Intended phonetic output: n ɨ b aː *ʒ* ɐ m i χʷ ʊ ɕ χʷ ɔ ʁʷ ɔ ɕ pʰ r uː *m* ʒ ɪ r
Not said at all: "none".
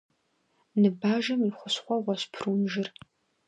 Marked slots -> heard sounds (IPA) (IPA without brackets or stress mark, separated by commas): ʒ, m